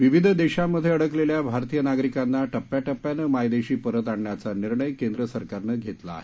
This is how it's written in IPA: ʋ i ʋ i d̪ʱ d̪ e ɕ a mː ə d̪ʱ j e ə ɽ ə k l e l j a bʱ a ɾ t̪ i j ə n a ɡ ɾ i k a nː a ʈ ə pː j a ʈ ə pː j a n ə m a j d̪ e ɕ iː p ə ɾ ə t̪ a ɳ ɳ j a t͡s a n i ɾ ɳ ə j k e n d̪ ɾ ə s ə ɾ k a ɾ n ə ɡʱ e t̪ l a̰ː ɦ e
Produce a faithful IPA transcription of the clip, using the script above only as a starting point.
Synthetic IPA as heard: ʋ i ʋ i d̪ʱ d̪ e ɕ a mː ə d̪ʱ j e ə ɽ ə k l e l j a bʱ a ɾ t̪ i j ə n a ɡ ɾ i k a nː a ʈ ə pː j a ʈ ə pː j a n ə m a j d̪ e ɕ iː p ə ɾ ə t̪ a ɳ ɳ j a t͡s a n i ɾ ɳ ə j k e n d̪ ɾ ə s ə ɾ k a ɾ n ə ɡʱ e t̪ l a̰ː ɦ e